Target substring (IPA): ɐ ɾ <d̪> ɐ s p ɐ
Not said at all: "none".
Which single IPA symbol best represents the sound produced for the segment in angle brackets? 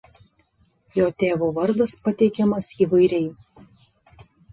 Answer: d̪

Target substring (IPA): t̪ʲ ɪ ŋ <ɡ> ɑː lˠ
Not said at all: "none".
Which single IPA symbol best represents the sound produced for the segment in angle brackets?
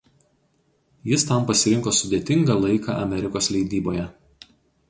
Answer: ɡ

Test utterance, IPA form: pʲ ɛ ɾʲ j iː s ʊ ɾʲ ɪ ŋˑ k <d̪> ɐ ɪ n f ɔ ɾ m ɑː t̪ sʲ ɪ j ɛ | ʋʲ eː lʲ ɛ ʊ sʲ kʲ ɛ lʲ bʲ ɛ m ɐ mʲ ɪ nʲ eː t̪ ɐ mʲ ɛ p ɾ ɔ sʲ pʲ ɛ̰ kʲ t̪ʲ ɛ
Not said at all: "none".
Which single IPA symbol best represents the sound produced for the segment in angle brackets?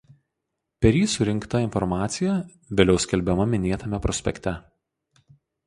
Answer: t̪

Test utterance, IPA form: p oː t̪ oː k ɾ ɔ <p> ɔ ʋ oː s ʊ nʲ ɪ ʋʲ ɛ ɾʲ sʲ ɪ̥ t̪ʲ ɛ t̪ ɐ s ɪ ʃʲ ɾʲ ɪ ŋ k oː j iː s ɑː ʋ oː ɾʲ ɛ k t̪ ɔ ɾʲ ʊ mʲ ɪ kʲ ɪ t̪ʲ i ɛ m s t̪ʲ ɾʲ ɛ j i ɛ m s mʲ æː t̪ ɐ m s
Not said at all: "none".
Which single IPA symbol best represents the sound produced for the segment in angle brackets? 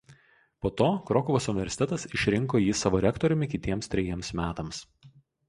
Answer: k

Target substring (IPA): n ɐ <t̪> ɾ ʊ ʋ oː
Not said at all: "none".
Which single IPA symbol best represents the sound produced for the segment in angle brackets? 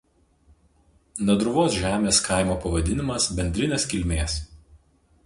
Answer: d̪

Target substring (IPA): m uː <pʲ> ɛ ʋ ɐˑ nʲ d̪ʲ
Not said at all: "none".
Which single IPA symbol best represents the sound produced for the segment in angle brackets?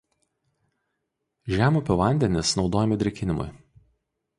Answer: pʲ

